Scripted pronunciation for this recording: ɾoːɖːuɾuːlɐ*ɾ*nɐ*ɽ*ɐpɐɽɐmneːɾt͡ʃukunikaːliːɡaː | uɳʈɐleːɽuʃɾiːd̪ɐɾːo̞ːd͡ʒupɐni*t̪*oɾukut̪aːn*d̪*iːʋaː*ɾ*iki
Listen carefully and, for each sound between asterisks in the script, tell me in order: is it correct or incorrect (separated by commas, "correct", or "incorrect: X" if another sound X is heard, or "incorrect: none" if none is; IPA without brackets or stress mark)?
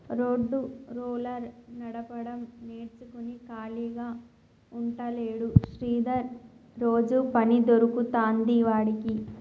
correct, correct, incorrect: d̪, correct, incorrect: ɽ